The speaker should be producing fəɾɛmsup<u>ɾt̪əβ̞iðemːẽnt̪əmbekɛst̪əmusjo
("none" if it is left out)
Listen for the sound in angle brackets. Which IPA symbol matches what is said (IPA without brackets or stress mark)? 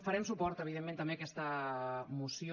ɔ